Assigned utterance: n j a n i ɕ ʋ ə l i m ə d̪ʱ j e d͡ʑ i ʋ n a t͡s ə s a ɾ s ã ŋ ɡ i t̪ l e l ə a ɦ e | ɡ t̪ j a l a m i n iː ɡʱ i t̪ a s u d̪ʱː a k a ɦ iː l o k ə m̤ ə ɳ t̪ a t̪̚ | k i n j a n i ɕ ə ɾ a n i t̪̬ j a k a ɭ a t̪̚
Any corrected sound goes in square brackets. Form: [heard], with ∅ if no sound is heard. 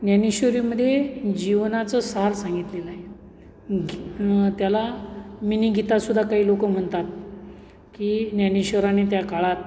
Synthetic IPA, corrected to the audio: n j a n i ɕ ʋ ə [ɾ] i m ə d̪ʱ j e d͡ʑ i ʋ n a t͡s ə s a ɾ s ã ŋ ɡ i t̪ l e l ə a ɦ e | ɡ t̪ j a l a m i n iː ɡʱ i t̪ a s u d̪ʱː a k a ɦ iː l o k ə m̤ ə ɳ t̪ a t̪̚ | k i n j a n i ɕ ə ɾ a n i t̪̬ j a k a ɭ a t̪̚